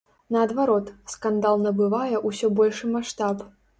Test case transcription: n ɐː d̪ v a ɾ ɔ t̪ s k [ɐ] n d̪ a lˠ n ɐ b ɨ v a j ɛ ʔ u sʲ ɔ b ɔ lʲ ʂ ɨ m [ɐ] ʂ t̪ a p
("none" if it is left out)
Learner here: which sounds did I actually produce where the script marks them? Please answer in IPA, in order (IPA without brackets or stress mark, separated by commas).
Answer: a, a